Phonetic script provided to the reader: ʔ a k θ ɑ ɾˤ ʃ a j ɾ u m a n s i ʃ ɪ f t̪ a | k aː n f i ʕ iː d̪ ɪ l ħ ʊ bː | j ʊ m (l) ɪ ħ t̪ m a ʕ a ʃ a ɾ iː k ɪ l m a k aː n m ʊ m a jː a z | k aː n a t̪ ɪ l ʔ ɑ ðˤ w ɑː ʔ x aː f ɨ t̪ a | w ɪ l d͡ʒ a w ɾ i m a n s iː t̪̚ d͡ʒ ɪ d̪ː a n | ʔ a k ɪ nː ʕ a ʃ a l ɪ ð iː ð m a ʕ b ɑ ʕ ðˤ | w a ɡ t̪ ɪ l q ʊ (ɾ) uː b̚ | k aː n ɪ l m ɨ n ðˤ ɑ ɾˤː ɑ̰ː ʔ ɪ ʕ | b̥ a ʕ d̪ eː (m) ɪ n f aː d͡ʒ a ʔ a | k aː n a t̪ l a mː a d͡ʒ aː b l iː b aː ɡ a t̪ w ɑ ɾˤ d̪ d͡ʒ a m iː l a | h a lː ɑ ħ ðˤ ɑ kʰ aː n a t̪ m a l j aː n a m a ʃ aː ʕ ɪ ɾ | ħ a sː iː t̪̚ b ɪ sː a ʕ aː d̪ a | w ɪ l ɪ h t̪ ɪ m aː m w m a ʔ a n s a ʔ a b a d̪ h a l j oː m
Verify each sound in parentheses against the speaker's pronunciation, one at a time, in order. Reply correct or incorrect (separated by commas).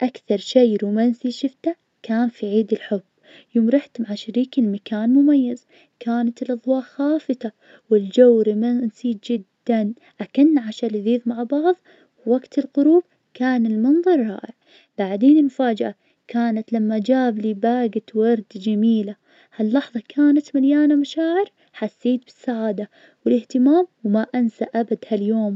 incorrect, correct, incorrect